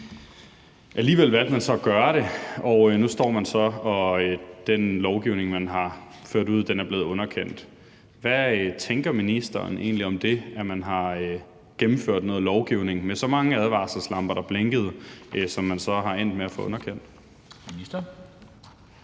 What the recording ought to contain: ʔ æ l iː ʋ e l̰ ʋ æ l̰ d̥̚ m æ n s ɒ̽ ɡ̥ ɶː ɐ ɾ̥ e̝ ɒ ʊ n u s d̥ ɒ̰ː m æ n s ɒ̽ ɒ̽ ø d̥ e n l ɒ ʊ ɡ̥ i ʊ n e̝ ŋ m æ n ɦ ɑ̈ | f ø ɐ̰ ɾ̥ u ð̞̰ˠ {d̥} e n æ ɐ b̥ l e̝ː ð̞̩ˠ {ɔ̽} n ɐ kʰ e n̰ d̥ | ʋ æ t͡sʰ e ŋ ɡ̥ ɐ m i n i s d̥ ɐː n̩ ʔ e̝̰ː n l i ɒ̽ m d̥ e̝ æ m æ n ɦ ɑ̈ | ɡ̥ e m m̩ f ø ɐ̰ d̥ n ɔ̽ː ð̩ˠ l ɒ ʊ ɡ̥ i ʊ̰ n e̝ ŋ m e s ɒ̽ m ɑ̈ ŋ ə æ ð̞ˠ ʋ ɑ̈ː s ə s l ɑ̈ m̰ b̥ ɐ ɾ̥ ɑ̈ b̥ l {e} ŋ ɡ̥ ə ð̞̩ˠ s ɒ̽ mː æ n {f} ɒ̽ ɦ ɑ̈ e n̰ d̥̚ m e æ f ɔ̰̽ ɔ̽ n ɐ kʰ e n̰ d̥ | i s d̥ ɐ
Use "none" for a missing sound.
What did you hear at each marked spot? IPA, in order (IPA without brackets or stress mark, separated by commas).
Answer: d̥, ɔ̽, e, s